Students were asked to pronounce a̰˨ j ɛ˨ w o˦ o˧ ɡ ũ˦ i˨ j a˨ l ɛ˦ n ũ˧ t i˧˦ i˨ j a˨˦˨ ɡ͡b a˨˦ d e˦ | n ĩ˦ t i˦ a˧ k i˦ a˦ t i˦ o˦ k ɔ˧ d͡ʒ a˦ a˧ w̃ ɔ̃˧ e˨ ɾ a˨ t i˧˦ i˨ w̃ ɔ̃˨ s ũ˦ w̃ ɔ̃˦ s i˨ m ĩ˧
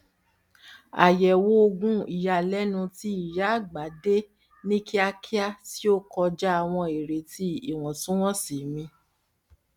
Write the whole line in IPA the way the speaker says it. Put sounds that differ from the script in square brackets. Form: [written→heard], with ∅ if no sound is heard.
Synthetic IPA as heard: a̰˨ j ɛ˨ w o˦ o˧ ɡ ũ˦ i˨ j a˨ l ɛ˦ n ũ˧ t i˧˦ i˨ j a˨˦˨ ɡ͡b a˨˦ d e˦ | n ĩ˦ [t→k] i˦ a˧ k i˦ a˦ t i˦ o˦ k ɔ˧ d͡ʒ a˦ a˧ w̃ ɔ̃˧ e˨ ɾ [a˨→e˨] t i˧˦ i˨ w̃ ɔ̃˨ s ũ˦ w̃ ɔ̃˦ s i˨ m ĩ˧